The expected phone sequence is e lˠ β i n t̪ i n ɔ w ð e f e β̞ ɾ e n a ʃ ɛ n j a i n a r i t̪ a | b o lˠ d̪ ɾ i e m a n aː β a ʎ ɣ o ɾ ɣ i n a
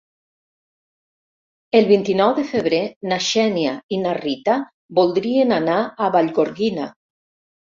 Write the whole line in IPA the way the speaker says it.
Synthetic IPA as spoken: e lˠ β i n t̪ i n ɔ w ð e f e β̞ ɾ e n a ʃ ɛ n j a i n a r i t̪ a | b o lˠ d̪ ɾ i e n a n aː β a ʎ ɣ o ɾ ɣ i n a